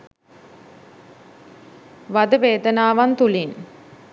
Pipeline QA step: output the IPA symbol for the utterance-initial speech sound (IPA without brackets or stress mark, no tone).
ʋ